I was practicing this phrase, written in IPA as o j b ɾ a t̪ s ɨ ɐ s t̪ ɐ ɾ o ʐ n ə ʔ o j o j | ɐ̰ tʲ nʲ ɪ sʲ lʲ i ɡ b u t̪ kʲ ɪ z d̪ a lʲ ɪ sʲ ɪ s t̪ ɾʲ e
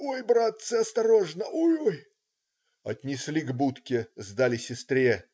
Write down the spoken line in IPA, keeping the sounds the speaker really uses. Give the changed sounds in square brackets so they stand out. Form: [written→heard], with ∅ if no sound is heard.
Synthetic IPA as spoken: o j b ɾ a t̪ s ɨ ɐ s t̪ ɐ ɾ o ʐ n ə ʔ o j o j | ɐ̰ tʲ nʲ ɪ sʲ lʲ i ɡ b u t̪ kʲ ɪ z d̪ a lʲ ɪ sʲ ɪ s t̪ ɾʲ e